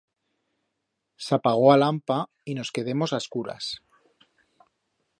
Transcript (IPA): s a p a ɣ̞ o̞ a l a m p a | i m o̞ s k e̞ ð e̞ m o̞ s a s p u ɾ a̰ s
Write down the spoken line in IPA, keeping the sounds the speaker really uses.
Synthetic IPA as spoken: s a p a ɣ̞ o̞ a l a m p a | i n o̞ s k e̞ ð e̞ m o̞ s a s k u ɾ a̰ s

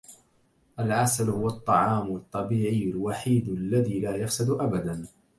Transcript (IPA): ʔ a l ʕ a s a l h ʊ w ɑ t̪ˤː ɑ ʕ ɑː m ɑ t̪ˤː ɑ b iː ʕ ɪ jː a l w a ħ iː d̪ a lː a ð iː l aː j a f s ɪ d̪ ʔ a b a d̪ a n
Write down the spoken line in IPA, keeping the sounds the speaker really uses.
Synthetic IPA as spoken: ʔ a l ʕ a s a l h ʊ w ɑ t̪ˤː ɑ ʕ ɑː m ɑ t̪ˤː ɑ b iː ʕ ɪ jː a l w a ħ iː d̪ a lː a ð iː l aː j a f s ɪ d̪ ʔ a b a d̪ a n

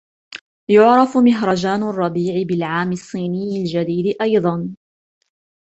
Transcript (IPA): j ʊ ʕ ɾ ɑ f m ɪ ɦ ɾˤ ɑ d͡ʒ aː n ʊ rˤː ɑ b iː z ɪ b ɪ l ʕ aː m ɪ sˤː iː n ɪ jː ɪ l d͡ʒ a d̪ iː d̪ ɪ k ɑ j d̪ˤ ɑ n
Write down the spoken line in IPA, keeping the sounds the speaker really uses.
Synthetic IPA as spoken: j ʊ ʕ ɾ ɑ f m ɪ ɦ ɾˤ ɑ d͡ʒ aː n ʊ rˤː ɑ b iː ʕ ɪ b ɪ l ʕ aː m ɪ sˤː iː n ɪ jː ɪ l d͡ʒ a d̪ iː d̪ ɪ ʔ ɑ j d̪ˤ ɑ n

